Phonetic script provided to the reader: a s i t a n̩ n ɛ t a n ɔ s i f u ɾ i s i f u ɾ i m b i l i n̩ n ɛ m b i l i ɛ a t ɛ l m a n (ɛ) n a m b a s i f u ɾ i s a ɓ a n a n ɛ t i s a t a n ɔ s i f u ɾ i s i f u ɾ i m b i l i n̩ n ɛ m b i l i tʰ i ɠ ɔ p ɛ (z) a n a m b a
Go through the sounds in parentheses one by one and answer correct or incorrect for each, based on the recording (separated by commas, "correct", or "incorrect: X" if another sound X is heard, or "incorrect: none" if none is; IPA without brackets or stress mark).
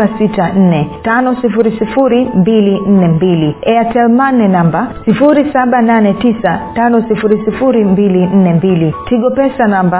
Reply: correct, incorrect: s